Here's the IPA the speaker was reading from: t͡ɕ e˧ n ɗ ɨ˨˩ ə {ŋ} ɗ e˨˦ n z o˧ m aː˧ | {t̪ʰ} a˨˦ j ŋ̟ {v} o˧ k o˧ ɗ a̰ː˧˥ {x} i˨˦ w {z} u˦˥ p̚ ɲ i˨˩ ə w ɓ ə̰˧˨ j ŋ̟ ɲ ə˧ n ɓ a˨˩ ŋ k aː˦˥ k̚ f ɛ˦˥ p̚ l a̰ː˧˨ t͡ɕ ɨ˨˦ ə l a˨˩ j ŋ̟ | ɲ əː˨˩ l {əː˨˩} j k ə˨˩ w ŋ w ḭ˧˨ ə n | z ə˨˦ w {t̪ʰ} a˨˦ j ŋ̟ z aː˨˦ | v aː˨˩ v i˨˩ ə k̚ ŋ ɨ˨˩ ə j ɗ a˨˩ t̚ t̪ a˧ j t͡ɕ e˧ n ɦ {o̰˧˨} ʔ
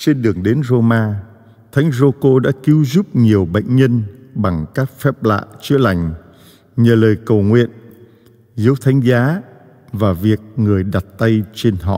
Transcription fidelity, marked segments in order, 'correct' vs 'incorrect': correct, correct, incorrect: z, incorrect: k, correct, correct, correct, incorrect: ɔ̰˧˨

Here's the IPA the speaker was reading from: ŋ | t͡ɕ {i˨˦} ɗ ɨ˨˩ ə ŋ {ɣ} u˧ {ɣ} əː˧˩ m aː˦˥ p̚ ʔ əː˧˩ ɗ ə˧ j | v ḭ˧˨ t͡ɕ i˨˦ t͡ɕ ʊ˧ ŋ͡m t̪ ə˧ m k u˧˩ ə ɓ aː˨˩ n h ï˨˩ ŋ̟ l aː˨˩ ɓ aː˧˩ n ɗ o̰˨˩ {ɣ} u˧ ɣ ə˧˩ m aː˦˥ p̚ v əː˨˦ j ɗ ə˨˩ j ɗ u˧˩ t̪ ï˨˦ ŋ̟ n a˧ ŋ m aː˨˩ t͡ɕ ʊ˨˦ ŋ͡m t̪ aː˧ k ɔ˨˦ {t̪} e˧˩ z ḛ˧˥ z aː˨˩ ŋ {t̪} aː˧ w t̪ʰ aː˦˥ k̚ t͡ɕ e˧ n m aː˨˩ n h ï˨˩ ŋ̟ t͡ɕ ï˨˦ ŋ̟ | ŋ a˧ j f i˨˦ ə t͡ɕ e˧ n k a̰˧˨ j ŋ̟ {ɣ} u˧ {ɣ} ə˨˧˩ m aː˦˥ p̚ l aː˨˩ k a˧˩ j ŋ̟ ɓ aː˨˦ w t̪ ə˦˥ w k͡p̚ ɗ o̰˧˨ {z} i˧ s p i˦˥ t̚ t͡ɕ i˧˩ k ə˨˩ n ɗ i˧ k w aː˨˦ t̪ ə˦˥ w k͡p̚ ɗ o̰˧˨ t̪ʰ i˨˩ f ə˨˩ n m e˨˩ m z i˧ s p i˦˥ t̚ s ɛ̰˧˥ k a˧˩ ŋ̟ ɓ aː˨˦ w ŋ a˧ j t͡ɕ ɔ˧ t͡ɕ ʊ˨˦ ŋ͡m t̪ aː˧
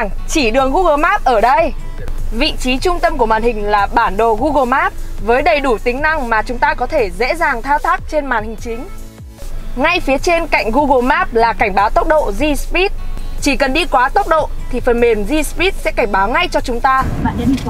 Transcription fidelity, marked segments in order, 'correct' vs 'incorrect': incorrect: i˧˩, correct, correct, correct, incorrect: t̪ʰ, incorrect: t̪ʰ, correct, correct, correct

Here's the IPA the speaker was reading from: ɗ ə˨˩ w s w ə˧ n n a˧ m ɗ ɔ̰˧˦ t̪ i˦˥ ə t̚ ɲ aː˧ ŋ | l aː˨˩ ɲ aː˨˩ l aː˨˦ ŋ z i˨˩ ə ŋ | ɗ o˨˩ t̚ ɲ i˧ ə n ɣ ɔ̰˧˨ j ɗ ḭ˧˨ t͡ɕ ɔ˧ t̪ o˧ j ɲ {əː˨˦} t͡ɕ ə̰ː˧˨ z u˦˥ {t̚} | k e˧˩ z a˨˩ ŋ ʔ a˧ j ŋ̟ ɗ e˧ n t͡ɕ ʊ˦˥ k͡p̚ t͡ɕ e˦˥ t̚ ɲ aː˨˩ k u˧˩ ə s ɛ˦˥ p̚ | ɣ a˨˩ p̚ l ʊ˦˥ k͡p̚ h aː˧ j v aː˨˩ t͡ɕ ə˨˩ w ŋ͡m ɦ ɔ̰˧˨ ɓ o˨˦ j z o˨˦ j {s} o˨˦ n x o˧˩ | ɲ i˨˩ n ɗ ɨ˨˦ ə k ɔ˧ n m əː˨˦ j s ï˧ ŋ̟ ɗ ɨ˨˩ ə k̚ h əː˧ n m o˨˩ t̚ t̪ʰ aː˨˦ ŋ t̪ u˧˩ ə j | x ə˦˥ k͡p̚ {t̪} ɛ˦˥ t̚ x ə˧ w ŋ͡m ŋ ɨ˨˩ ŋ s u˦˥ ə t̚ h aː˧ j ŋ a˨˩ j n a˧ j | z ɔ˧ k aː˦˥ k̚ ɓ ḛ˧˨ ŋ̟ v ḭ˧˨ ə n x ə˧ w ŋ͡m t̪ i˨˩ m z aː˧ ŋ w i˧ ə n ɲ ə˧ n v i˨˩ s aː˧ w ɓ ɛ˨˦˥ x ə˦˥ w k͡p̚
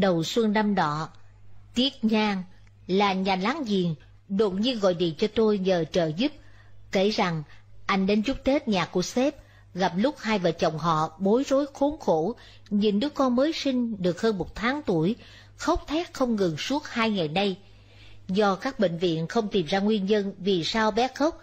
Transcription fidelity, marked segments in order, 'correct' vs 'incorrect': incorrect: əː˨˩, incorrect: p̚, incorrect: x, incorrect: t̪ʰ

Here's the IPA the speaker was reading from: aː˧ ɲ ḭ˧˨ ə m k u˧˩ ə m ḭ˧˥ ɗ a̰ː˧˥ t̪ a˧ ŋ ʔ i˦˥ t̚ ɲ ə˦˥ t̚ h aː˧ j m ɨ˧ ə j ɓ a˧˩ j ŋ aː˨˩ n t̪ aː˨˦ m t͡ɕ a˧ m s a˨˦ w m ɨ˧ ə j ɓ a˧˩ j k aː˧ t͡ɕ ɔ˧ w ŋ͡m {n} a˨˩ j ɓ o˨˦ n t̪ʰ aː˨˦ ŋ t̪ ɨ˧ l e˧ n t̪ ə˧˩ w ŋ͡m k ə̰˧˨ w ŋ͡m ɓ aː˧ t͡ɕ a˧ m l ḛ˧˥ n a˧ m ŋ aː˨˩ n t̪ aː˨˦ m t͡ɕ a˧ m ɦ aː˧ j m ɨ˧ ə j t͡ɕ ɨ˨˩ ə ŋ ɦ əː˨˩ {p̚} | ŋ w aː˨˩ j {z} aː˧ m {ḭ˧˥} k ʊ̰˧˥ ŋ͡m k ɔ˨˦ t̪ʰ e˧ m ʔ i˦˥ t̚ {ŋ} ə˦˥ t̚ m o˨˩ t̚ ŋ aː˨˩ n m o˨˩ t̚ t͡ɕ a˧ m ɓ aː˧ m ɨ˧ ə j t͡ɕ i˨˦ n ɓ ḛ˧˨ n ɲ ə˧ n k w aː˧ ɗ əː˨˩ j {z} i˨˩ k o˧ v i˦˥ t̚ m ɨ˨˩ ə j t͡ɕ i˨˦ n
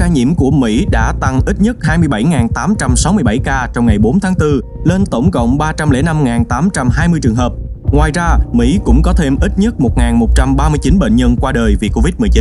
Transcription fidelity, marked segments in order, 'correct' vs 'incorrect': incorrect: ŋ, correct, correct, correct, incorrect: ɲ, incorrect: v

